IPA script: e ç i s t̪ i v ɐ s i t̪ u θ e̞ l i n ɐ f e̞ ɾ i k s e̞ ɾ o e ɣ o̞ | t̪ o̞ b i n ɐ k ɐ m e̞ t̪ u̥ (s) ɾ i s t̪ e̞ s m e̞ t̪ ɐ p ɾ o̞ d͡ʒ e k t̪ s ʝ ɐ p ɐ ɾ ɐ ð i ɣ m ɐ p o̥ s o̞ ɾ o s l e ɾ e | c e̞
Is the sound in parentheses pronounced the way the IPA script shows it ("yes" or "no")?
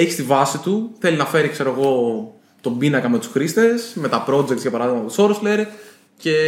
yes